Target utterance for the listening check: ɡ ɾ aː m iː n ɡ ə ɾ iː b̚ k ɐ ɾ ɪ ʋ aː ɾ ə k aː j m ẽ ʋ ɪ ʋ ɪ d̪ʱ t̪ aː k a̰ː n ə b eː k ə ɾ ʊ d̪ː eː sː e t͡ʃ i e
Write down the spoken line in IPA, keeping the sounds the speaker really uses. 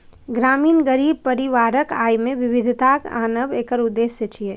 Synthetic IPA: ɡ ɾ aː m iː n ɡ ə ɾ iː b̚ p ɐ ɾ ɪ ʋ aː ɾ ə k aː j m ẽ ʋ ɪ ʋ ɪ d̪ʱ t̪ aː k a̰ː n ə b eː k ə ɾ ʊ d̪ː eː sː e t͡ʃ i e